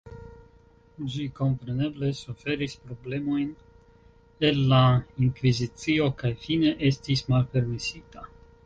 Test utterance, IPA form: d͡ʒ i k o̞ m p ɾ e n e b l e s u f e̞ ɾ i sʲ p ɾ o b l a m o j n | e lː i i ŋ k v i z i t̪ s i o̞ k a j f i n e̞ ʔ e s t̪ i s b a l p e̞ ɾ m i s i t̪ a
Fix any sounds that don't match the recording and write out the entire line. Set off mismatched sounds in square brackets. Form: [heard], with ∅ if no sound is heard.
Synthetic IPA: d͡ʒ i k o̞ m p ɾ e n e b l e s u f e̞ ɾ i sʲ p ɾ o b l [e] m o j n | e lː [a] i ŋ k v i z i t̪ s i o̞ k a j f i n e̞ ʔ e s t̪ i s [m] a l p e̞ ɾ m i s i t̪ a